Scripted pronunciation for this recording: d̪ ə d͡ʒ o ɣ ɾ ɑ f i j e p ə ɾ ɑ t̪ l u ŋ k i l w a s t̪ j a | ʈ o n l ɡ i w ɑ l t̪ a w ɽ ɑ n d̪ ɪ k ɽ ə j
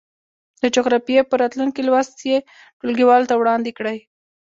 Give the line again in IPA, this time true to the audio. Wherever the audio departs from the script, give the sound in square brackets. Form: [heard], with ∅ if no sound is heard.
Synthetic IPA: d̪ ə d͡ʒ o ɣ ɾ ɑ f i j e p ə ɾ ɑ t̪ l u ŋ k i l w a s t̪ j [e] | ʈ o [∅] l ɡ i w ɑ l t̪ a w ɽ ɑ n d̪ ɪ k ɽ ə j